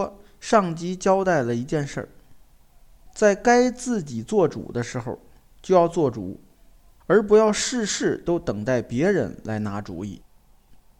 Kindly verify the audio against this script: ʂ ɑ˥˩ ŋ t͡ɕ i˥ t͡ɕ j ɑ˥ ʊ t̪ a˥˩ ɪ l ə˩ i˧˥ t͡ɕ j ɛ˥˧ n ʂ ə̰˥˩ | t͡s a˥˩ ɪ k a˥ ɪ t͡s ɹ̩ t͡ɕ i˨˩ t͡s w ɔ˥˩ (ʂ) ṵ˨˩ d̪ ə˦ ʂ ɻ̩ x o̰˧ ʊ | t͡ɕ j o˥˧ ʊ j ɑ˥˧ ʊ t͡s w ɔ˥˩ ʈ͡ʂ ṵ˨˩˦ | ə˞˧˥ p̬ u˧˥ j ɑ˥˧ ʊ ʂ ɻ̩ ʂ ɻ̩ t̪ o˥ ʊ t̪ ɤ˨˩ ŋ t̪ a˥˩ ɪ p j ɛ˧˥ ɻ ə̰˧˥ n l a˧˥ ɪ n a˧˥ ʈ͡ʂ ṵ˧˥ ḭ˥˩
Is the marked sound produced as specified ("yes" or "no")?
no